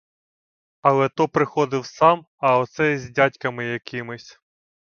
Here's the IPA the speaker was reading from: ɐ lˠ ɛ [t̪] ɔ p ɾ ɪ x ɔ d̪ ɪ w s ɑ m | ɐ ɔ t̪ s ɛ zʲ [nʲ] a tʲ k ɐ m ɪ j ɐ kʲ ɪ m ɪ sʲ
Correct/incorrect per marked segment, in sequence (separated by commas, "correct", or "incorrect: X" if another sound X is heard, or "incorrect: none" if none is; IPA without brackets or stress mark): correct, incorrect: dʲ